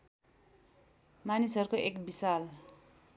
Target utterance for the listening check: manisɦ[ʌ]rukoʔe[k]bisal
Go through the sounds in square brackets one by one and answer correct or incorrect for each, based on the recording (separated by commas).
correct, correct